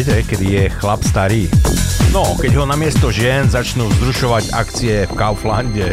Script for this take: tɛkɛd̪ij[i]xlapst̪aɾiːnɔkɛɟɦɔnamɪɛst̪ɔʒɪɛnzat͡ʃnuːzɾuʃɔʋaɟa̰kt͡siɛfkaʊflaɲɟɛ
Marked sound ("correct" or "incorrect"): incorrect